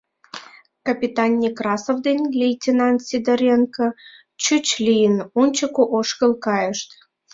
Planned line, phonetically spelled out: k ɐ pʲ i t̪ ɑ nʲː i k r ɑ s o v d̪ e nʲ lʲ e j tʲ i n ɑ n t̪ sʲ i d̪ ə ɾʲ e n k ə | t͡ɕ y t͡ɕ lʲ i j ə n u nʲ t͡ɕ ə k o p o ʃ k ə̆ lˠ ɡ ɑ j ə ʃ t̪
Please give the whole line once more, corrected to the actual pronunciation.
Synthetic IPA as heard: k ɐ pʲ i t̪ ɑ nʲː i k r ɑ s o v d̪ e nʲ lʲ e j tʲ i n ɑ n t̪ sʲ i d̪ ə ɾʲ e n k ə | t͡ɕ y t͡ɕ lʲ i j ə n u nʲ t͡ɕ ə k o ʔ o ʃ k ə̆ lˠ k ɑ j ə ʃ t̪